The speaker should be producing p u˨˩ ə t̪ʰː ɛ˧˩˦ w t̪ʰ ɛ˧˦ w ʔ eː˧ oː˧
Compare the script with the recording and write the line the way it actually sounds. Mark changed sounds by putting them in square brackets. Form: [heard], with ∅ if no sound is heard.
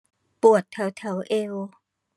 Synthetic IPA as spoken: p u˨˩ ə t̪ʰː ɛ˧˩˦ w t̪ʰ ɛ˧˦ w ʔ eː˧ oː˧